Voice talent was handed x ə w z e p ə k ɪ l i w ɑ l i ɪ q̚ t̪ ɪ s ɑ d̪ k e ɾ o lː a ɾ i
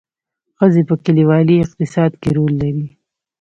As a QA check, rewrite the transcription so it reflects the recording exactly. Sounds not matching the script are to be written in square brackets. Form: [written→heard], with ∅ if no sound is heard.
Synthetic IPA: x ə [w→∅] z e p ə k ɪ l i w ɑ l i ɪ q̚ t̪ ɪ s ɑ d̪ k e ɾ o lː a ɾ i